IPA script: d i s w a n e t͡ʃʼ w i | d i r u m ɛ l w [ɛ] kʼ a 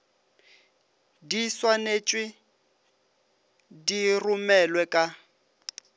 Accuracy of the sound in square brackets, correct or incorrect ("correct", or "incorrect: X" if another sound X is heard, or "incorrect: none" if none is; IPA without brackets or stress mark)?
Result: correct